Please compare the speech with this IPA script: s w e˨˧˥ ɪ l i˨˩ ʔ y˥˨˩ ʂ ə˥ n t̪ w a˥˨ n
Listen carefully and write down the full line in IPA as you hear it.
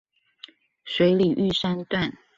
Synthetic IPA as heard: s w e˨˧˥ ɪ l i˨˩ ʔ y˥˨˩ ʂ a˥ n t̪ w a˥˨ n